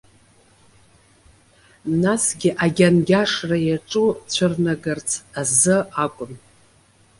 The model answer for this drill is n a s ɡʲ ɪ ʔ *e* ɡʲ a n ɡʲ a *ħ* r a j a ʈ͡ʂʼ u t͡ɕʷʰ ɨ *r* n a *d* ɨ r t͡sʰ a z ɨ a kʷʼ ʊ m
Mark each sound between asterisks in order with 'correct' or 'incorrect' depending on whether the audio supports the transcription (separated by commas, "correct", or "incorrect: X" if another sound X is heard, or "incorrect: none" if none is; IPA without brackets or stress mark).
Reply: incorrect: a, incorrect: ʂ, correct, incorrect: ɡ